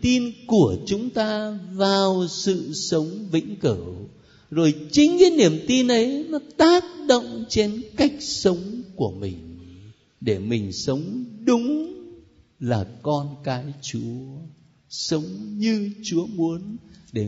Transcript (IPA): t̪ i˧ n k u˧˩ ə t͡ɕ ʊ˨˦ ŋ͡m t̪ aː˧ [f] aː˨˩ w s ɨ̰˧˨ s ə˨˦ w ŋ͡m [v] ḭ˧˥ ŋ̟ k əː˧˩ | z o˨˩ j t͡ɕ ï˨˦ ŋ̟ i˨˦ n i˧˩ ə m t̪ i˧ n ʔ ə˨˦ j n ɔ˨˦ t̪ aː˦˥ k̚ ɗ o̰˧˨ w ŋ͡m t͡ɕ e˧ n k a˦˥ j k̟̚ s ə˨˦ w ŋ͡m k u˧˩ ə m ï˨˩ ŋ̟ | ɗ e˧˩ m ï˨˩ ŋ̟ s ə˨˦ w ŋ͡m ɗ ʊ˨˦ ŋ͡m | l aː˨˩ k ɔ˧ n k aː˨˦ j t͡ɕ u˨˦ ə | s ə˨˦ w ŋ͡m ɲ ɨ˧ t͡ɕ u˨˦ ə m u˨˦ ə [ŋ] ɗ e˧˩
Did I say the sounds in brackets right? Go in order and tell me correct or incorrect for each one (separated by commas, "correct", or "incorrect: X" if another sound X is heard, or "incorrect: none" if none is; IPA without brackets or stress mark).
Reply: incorrect: v, correct, incorrect: n